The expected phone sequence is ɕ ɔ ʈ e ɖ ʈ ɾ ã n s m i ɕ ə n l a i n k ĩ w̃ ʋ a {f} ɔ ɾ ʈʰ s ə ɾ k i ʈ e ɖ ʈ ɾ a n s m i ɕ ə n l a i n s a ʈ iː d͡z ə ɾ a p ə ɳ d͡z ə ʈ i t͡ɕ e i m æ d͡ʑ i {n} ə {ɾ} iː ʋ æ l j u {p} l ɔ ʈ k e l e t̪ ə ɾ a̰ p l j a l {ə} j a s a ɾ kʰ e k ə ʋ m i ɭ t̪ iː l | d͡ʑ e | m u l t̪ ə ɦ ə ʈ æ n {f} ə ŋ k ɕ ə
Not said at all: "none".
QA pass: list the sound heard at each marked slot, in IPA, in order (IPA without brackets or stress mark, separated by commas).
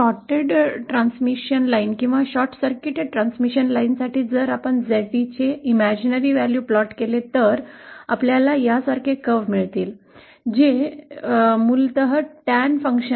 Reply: ɕ, n, ɾ, p, a, f